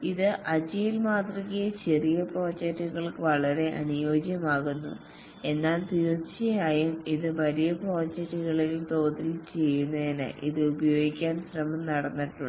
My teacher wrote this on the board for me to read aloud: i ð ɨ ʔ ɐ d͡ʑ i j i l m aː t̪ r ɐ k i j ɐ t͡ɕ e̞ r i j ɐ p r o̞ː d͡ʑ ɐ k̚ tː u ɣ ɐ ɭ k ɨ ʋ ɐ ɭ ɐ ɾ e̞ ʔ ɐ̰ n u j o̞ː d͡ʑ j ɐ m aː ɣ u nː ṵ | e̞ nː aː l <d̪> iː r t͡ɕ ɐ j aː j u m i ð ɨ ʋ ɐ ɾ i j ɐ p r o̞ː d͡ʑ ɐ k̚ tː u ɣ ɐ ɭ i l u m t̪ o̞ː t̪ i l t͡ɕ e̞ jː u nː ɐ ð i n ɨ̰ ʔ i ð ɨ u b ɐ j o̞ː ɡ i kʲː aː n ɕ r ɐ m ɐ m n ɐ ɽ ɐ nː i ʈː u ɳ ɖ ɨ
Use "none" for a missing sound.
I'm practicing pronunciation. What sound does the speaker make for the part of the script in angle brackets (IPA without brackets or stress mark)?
t̪